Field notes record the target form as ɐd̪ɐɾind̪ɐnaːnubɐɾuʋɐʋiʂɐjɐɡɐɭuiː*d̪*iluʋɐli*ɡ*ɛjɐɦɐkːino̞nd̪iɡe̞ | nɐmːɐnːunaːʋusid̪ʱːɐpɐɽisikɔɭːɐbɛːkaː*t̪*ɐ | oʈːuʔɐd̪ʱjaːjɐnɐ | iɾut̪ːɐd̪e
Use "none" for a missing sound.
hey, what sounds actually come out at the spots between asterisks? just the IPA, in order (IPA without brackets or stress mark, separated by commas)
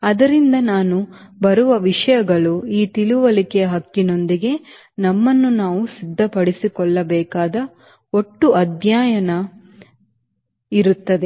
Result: t̪, k, d̪